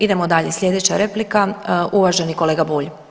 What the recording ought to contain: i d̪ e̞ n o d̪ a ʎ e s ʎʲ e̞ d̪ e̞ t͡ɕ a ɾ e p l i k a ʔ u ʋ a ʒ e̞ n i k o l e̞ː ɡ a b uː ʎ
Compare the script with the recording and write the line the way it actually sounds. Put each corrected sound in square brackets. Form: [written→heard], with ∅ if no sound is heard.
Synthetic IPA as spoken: i d̪ e̞ [n→m] o d̪ a ʎ e s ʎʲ e̞ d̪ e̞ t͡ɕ a ɾ e p l i k a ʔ u ʋ a ʒ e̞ n i k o l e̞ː ɡ a b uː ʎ